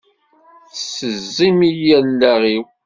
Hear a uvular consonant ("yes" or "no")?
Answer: yes